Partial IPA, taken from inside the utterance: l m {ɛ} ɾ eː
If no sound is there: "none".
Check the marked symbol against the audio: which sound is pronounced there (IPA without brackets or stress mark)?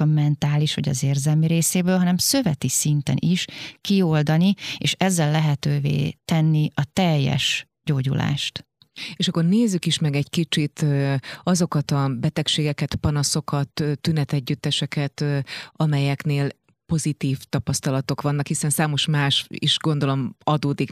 i